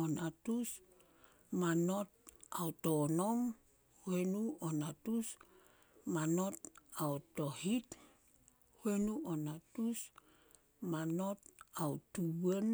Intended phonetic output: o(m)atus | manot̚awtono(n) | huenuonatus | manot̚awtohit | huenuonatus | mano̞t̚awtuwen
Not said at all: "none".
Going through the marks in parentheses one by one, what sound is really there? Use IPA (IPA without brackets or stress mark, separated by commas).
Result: n, m